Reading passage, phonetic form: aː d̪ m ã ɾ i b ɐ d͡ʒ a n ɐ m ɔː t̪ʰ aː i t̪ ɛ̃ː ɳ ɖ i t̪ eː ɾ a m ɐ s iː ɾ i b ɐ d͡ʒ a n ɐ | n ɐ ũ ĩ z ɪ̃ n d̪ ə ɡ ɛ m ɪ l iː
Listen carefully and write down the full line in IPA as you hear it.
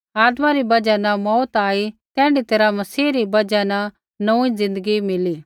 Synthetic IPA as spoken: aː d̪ m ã ɾ i b ɐ d͡ʒ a n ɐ m ɔː t̪ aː i t̪ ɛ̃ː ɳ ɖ i t̪ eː ɾ a m ɐ s iː ɾ i b ɐ d͡ʒ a n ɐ | n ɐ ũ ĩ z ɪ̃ n d̪ ə ɡ i m ɪ l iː